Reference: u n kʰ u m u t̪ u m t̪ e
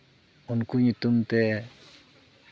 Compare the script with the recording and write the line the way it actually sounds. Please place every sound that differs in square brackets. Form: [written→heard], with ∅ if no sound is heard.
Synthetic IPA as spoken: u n [kʰ→k] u [m→ɲ] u t̪ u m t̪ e